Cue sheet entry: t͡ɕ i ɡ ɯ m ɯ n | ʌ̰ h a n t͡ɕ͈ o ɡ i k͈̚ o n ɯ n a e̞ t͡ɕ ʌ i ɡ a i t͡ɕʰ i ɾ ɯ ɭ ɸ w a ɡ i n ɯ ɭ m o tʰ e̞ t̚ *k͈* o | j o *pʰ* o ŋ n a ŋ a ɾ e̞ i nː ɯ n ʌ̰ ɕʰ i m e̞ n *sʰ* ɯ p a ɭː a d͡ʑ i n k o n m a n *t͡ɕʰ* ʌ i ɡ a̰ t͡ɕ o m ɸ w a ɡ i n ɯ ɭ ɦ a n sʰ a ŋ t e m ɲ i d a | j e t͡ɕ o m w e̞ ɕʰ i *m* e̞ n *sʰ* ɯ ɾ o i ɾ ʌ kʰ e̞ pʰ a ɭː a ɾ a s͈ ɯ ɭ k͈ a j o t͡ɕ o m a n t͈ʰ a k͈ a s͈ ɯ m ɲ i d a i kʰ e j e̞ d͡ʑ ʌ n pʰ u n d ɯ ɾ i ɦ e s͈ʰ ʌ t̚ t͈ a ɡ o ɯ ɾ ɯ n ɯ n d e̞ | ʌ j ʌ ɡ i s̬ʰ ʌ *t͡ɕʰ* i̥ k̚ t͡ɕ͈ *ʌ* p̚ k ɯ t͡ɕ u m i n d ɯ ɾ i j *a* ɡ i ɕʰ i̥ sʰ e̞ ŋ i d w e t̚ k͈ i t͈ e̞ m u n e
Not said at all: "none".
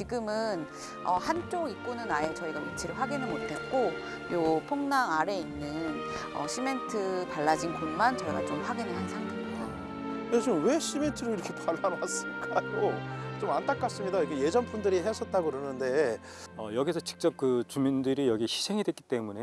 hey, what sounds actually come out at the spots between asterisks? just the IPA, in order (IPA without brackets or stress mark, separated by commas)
k͈, pʰ, tʰ, t͡ɕ, m, tʰ, t͡ɕ, ʌ, ʌ